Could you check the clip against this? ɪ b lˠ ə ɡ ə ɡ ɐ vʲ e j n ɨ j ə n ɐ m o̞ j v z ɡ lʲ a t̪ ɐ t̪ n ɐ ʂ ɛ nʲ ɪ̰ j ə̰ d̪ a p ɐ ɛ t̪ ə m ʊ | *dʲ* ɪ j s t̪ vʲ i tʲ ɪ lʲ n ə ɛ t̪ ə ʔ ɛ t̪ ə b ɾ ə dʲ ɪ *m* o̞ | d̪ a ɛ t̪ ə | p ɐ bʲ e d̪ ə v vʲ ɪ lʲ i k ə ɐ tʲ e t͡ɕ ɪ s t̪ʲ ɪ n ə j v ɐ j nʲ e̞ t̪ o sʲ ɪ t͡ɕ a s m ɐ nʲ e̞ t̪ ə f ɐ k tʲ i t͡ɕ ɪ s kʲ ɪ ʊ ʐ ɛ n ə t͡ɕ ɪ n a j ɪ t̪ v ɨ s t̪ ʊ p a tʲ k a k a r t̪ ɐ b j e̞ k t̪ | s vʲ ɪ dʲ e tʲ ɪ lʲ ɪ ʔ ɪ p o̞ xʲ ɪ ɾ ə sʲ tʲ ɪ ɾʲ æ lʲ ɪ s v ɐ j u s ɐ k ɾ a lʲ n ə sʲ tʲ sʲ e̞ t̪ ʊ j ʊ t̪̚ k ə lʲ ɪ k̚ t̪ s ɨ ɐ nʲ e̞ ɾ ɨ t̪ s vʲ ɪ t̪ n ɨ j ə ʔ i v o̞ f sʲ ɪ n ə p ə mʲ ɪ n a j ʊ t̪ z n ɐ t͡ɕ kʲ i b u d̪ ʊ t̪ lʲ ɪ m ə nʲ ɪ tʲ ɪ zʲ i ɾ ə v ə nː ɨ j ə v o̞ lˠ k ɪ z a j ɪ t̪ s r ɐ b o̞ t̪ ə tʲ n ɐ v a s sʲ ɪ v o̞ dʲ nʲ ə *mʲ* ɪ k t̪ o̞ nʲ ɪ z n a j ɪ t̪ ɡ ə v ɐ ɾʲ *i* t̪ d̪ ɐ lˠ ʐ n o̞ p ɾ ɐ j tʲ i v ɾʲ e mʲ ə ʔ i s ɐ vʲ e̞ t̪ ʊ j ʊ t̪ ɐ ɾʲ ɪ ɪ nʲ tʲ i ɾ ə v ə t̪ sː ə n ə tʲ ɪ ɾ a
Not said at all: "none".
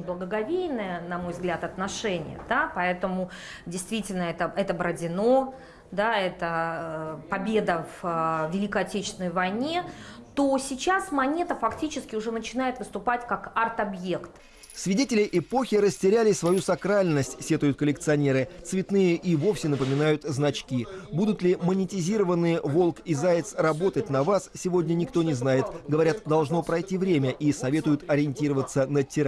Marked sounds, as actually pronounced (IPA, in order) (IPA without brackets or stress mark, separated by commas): dʲ, n, nʲ, a